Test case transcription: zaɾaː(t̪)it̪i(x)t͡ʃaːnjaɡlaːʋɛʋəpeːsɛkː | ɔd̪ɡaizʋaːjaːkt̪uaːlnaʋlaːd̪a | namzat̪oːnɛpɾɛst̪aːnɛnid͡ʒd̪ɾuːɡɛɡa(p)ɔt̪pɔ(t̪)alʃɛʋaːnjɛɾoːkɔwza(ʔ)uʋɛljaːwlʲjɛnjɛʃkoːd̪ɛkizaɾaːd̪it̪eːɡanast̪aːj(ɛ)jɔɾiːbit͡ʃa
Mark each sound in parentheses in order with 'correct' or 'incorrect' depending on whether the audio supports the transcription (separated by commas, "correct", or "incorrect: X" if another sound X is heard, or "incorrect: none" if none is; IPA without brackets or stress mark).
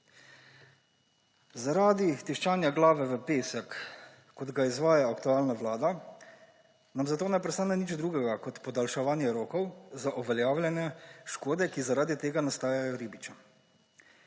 incorrect: d̪, incorrect: ʃ, incorrect: k, incorrect: d̪, correct, incorrect: a